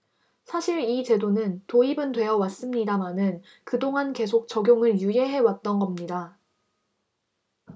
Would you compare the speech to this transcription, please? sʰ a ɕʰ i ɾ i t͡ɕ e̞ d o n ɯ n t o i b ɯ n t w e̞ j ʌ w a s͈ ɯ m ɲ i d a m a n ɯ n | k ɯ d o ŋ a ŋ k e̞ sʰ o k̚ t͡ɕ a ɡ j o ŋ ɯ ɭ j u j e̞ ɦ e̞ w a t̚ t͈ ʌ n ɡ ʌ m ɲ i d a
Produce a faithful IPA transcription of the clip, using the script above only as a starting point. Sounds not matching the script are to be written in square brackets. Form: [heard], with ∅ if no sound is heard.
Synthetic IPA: sʰ a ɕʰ i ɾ i t͡ɕ e̞ d o n ɯ n t o i b ɯ n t w e̞ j ʌ w a s͈ ɯ m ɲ i d a m a n ɯ n | k ɯ d o ŋ a [n] k e̞ sʰ o k̚ t͡ɕ [ʌ] ɡ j o ŋ ɯ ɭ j u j e̞ ɦ e̞ w a t̚ t͈ ʌ n ɡ ʌ m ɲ i d a